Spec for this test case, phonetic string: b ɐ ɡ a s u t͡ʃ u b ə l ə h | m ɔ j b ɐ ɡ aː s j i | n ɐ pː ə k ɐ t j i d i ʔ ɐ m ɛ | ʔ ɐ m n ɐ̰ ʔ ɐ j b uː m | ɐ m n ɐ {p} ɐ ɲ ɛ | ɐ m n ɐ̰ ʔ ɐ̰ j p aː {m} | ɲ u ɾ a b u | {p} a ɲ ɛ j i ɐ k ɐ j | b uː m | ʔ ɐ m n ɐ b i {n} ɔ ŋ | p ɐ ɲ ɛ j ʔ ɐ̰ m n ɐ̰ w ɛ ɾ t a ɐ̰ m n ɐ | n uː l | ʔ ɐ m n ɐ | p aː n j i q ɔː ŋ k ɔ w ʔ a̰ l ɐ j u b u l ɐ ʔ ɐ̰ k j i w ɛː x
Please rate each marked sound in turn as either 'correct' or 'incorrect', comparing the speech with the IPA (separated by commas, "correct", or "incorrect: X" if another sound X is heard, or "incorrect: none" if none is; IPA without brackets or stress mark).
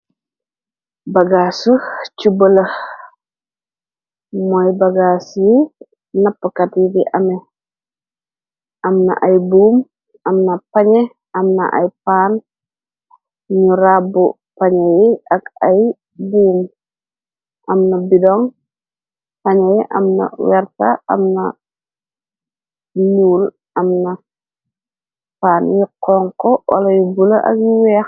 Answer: correct, incorrect: n, correct, incorrect: d